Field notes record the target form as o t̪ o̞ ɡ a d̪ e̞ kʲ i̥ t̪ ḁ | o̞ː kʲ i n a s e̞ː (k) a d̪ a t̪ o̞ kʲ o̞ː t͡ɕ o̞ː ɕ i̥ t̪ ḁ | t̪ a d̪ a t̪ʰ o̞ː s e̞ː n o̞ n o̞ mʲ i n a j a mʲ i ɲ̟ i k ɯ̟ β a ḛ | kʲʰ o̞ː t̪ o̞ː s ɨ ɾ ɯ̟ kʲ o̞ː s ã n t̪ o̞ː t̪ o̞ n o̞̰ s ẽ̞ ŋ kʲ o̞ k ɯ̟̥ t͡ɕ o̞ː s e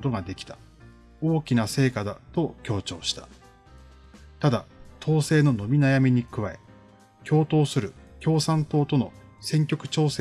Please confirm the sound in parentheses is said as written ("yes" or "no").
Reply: yes